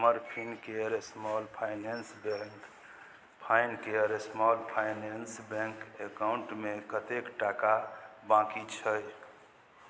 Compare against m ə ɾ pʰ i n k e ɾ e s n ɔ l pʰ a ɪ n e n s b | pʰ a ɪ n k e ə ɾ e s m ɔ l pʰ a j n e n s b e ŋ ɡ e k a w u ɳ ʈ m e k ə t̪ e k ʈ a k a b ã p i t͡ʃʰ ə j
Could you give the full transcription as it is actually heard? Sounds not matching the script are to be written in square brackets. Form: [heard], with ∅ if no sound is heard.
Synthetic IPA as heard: m ə ɾ pʰ i n k e ɾ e s [m] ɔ l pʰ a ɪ n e n s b | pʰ a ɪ n k e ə ɾ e s m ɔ l pʰ a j n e n s b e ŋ [k] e k a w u ɳ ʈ m e k ə t̪ e k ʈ a k a b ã [k] i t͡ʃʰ ə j